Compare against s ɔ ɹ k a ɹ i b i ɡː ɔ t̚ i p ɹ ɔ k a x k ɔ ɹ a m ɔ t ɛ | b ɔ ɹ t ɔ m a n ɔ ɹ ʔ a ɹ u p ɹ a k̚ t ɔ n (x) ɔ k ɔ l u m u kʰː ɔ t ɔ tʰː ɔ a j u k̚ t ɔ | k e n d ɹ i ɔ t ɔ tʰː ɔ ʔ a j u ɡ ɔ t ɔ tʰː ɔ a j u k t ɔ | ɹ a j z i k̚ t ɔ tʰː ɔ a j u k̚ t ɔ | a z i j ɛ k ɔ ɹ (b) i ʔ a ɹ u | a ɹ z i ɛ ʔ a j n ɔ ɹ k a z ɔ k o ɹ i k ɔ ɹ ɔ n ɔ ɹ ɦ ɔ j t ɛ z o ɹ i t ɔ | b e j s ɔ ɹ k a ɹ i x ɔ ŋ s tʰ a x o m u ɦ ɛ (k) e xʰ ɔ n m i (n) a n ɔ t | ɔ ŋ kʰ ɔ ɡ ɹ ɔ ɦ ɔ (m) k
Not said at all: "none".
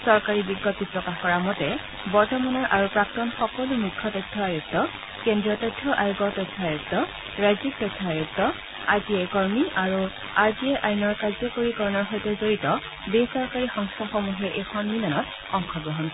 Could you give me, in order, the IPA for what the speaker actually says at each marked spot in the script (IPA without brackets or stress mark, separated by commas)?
x, m, ʔ, n, n